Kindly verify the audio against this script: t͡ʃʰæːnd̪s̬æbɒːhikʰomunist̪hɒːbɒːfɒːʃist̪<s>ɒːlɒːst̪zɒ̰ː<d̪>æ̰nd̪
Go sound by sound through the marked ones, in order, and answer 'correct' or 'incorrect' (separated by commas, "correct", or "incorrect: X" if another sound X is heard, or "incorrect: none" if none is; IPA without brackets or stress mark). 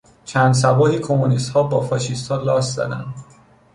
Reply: incorrect: h, correct